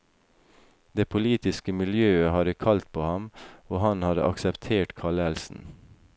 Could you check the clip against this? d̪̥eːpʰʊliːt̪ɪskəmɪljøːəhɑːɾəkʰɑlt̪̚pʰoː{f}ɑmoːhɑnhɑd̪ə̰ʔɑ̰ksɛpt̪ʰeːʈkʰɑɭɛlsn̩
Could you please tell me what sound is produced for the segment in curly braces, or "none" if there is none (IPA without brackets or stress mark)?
h